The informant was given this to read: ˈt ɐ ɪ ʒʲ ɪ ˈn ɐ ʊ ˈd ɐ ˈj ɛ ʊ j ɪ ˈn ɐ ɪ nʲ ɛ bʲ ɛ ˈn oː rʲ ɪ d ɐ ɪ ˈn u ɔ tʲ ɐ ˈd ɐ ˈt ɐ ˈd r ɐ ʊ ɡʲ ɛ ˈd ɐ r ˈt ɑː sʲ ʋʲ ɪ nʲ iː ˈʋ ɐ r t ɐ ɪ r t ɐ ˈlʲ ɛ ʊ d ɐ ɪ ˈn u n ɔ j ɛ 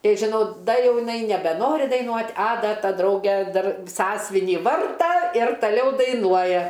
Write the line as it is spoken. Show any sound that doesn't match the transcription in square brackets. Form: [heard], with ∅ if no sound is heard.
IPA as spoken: ˈt ɐ ɪ ʒʲ ɪ ˈn ɐ ʊ ˈd ɐ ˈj ɛ ʊ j ɪ ˈn ɐ ɪ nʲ ɛ bʲ ɛ ˈn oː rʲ ɪ d ɐ ɪ ˈn u ɔ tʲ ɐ ˈd ɐ ˈt ɐ ˈd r ɐ ʊ ɡʲ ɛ ˈd ɐ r [ˈs] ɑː sʲ ʋʲ ɪ nʲ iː ˈʋ ɐ r t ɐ ɪ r t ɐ ˈlʲ ɛ ʊ d ɐ ɪ ˈn u [∅] ɔ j ɛ